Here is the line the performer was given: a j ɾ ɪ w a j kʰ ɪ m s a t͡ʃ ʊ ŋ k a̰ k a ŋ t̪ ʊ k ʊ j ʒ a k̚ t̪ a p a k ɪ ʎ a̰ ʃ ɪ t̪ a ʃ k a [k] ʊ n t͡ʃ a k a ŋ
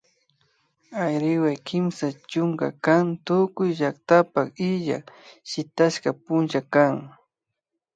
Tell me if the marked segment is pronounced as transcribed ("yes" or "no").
no